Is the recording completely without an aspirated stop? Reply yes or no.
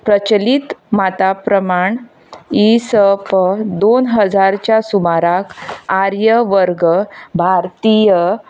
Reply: yes